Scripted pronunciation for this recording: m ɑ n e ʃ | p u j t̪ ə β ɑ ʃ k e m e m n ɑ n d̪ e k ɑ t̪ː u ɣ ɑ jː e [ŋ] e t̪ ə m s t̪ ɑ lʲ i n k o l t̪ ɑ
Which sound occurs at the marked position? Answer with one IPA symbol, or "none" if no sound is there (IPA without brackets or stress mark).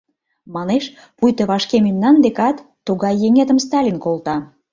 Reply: ŋ